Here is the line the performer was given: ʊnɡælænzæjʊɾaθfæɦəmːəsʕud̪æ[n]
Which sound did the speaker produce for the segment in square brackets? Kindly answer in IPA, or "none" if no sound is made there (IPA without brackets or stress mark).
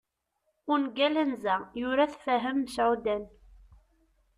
n